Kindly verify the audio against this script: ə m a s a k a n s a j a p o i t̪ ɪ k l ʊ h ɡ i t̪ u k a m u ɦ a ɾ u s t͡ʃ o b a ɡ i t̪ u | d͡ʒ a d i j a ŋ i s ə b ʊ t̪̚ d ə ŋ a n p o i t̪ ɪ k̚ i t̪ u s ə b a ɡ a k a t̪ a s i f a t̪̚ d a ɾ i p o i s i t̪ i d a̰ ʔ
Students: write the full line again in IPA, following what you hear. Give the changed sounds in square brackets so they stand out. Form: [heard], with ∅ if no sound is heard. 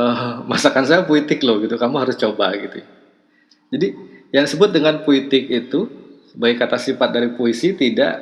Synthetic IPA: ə m a s a k a n s a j a p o i t̪ ɪ k l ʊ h ɡ i t̪ u k a m u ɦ a ɾ [ʊ] s t͡ʃ o b a ɡ i t̪ u | d͡ʒ a d i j a ŋ i s ə b ʊ t̪̚ d ə ŋ a n p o i t̪ ɪ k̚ i t̪ u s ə b a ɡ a k a t̪ a s i f a t̪̚ d a ɾ i p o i s i t̪ i d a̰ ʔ